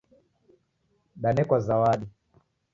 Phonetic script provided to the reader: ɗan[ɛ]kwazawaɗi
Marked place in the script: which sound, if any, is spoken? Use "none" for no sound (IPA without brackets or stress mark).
ɛ